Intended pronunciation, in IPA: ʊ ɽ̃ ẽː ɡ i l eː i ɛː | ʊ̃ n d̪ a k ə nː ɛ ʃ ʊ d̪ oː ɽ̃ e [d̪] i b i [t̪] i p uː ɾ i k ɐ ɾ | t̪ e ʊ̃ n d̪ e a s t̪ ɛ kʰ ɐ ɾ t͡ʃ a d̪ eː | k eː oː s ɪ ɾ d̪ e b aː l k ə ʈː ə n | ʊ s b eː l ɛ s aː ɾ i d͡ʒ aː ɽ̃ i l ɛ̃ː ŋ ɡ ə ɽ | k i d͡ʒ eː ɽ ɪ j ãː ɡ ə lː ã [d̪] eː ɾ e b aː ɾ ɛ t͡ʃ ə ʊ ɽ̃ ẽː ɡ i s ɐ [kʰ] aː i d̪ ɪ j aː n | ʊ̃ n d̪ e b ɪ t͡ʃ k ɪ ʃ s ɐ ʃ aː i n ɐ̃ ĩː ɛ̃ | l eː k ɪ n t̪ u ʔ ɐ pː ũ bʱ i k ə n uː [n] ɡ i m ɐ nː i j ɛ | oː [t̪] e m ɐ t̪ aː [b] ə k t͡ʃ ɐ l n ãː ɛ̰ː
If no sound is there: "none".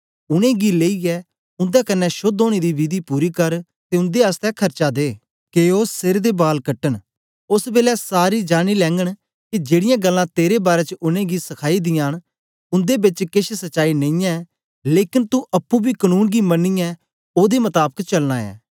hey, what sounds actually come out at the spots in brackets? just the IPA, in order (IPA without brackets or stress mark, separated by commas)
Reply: d̪, d̪, t̪, kʰ, n, d̪, b